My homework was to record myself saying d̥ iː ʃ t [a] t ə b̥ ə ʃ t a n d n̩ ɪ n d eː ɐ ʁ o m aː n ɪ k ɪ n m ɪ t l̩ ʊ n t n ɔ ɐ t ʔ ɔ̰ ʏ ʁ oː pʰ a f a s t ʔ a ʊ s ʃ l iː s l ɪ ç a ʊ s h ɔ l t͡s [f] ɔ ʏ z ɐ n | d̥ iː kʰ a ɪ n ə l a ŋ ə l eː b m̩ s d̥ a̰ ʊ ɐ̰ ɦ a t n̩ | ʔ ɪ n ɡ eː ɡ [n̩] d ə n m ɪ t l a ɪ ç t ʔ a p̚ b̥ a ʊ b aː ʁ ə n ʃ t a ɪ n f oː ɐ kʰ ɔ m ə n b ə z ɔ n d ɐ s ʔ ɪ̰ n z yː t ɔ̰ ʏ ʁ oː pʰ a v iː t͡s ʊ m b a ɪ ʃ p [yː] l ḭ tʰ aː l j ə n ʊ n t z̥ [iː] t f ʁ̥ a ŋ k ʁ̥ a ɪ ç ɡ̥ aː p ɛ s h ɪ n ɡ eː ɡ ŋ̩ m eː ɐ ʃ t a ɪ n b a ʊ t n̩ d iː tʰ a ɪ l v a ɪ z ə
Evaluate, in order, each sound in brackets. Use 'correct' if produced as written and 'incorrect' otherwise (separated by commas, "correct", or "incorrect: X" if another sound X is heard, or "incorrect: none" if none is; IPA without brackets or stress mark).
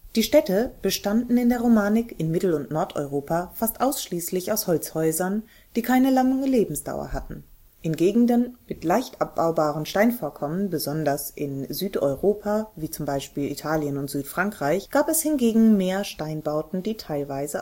incorrect: ɛ, incorrect: h, incorrect: ŋ̩, incorrect: iː, incorrect: yː